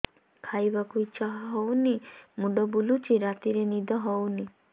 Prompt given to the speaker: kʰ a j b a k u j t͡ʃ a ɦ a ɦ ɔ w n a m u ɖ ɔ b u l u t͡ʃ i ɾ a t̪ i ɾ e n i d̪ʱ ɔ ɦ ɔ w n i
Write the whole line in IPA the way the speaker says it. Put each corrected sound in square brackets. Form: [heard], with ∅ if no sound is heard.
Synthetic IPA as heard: kʰ a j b a k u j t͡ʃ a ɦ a ɦ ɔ w n [i] m u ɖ ɔ b u l u t͡ʃ i ɾ a t̪ i ɾ e n i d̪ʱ ɔ ɦ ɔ w n i

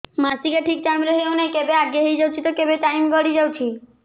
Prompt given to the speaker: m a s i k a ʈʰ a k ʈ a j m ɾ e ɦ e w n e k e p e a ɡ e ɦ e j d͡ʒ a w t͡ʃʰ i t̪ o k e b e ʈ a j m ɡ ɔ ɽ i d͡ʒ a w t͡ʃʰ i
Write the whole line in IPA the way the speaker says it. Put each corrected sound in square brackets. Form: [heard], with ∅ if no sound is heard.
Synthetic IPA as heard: m a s i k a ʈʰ [i] k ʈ a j m ɾ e ɦ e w n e k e [b] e a ɡ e ɦ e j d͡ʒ a w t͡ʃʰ i t̪ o k e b e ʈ a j m ɡ ɔ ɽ i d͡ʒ a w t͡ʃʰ i

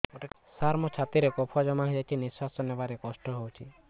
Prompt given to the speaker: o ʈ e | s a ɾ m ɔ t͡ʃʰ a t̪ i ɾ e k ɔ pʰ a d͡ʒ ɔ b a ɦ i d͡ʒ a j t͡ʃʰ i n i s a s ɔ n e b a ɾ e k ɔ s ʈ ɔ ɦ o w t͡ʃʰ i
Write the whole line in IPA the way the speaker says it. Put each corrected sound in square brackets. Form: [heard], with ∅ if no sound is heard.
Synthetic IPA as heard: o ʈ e | s a ɾ m ɔ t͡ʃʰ a t̪ i ɾ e k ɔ pʰ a d͡ʒ ɔ [m] a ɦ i d͡ʒ a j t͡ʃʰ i n i s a s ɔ n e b a ɾ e k ɔ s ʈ ɔ ɦ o w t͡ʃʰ i

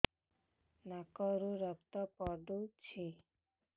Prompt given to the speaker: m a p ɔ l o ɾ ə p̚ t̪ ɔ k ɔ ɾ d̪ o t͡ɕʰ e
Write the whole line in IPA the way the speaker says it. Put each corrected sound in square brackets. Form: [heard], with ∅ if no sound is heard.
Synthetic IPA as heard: [n] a [k] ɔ [ɾ] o ɾ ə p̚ t̪ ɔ [p] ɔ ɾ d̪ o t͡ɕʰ e

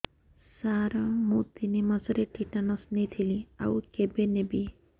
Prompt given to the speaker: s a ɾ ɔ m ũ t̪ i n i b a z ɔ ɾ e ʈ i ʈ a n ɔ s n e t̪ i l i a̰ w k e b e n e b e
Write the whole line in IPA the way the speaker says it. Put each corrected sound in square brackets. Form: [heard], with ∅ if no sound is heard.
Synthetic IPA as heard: s a ɾ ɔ m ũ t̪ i n i [m] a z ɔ ɾ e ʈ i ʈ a n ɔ s n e [t̪ʰ] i l i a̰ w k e b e n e b [i]

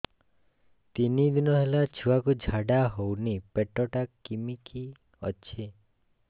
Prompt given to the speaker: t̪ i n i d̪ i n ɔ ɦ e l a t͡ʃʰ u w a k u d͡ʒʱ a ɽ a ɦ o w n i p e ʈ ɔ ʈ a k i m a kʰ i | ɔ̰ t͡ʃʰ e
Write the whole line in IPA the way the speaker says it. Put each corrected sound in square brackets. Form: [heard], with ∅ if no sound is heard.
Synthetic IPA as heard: t̪ i n i d̪ i n ɔ ɦ e l a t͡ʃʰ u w a k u d͡ʒʱ a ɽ a ɦ o w n i p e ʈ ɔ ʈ a k i m [i] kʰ i | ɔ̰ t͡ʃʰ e

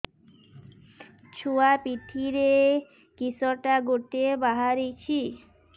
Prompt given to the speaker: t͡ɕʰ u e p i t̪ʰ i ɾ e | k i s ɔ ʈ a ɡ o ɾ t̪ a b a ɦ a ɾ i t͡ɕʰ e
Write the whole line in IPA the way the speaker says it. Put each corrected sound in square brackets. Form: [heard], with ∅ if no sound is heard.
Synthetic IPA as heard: t͡ɕʰ u [a] p i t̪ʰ i ɾ e | k i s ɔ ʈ a ɡ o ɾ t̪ [e] b a ɦ a ɾ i t͡ɕʰ [i]

